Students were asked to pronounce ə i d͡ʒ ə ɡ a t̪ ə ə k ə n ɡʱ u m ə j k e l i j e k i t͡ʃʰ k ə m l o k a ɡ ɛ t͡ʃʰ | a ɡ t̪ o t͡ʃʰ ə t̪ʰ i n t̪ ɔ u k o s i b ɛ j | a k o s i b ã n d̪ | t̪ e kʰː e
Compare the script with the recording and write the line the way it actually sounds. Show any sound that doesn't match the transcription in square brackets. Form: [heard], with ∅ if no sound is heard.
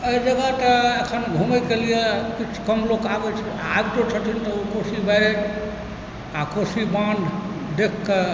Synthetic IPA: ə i d͡ʒ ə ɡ a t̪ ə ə [kʰ] ə n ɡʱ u m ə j k e l i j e k i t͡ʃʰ k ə m l o k a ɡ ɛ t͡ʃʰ | a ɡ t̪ o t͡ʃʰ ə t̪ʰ i n t̪ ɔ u k o s i b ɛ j | a k o s i b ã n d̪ | [d̪] e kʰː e